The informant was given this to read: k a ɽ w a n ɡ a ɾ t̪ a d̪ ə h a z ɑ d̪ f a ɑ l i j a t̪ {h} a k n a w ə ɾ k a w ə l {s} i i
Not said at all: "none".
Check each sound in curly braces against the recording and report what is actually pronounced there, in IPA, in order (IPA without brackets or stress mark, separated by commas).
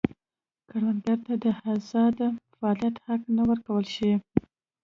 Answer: h, ʃ